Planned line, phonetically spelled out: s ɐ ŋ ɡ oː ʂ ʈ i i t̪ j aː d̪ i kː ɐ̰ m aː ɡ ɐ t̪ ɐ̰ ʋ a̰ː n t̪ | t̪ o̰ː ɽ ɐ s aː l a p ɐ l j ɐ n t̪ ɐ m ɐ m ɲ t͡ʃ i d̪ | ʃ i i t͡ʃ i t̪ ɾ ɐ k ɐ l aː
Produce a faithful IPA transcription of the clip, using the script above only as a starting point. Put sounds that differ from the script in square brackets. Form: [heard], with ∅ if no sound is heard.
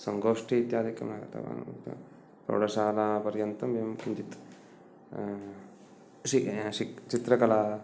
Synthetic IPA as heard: s ɐ ŋ ɡ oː ʂ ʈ i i t̪ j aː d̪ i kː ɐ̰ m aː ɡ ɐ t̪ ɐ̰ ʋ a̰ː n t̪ | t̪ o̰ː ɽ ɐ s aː l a p ɐ [ɾ] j ɐ n t̪ ɐ m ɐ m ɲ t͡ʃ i [t̪] | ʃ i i t͡ʃ i t̪ ɾ ɐ k ɐ l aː